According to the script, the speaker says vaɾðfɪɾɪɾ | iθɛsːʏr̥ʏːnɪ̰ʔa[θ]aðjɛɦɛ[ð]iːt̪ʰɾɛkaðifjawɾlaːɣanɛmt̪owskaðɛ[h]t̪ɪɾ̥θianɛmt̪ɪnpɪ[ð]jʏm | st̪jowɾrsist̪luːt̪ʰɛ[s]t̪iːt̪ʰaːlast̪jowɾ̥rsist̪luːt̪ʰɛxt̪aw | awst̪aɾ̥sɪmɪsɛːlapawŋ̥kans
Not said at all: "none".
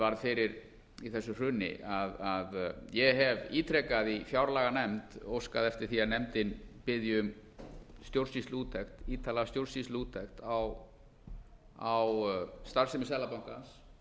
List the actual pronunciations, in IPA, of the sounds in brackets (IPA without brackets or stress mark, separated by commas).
ð, v, f, ð, x